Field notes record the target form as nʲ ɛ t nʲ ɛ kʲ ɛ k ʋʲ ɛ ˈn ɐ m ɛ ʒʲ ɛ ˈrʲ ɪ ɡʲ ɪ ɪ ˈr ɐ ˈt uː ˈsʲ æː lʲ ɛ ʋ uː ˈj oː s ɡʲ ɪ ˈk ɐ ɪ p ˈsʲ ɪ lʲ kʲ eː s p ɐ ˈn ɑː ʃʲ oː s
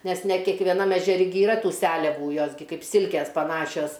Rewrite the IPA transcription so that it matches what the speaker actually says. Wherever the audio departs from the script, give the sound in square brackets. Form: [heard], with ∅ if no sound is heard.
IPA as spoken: nʲ ɛ [s] nʲ ɛ kʲ ɛ k ʋʲ ɛ ˈn ɐ m ɛ ʒʲ ɛ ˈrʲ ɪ ɡʲ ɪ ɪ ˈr ɐ ˈt uː ˈsʲ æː lʲ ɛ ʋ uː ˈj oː s ɡʲ ɪ ˈk ɐ ɪ p ˈsʲ ɪ lʲ kʲ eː s p ɐ ˈn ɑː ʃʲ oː s